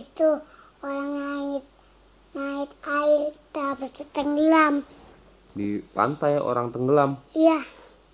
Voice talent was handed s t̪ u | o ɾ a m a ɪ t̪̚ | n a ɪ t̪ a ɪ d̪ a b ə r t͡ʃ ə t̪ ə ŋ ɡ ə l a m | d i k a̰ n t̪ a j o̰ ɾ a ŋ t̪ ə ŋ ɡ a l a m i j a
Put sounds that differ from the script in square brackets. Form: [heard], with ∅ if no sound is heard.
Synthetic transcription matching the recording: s t̪ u | o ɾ a [ŋ] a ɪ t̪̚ | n a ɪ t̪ a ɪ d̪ a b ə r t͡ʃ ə t̪ ə ŋ ɡ ə l a m | d i [p] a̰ n t̪ a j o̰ ɾ a ŋ t̪ ə ŋ ɡ [ə] l a m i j a